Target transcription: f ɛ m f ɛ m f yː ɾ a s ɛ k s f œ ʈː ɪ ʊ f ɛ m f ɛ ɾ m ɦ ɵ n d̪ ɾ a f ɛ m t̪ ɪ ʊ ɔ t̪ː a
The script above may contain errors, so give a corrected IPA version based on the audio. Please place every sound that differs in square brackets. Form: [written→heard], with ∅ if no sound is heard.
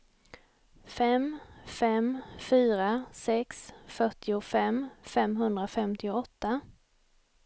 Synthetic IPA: f ɛ m f ɛ m f yː ɾ a s ɛ k s f œ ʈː ɪ ʊ f ɛ m f ɛ [ɾ→∅] m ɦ ɵ n d̪ ɾ a f ɛ m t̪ ɪ ʊ ɔ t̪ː a